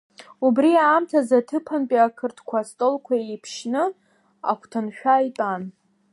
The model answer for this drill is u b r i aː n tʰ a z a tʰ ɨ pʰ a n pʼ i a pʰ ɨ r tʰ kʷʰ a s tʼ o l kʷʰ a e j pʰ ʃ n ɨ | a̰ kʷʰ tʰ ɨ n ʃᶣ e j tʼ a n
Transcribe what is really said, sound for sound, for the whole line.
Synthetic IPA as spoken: u b r i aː m tʰ a z a tʰ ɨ pʰ a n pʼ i a kʰ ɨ r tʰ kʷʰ a s tʼ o l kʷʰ a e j pʰ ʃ n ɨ | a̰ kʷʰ tʰ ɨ n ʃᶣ a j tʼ a n